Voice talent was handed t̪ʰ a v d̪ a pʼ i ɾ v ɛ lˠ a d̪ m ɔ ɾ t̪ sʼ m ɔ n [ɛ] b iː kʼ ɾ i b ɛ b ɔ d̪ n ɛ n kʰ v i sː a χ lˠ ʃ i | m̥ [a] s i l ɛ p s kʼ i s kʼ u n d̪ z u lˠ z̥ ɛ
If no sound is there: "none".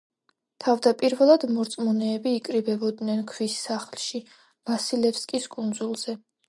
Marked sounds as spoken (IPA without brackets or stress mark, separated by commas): ɛː, a